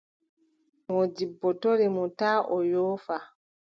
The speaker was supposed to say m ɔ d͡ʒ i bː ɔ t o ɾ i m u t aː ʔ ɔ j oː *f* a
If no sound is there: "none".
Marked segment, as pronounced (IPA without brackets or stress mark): f